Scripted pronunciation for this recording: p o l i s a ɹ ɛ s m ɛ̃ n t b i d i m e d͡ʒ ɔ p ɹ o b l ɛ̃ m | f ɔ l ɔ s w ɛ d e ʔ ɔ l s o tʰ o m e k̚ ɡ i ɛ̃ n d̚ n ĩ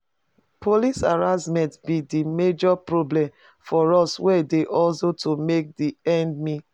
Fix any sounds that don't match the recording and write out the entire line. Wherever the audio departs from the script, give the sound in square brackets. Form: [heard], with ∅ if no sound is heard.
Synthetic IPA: p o l i s a ɹ [a] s m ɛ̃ n t b i d i m e d͡ʒ ɔ p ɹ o b l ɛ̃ m | f ɔ [ɹ] ɔ s w ɛ d e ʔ ɔ l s o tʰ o m e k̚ [d] i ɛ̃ n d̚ [m] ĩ